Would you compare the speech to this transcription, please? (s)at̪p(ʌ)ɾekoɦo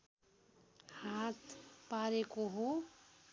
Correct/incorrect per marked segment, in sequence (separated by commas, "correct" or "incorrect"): incorrect, incorrect